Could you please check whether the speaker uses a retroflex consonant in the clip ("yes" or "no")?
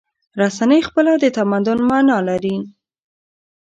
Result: no